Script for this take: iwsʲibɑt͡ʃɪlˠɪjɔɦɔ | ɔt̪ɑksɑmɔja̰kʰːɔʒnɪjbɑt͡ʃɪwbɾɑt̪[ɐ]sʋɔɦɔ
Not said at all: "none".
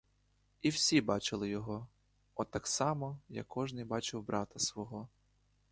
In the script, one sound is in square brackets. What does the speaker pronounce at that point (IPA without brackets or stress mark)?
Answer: ɐ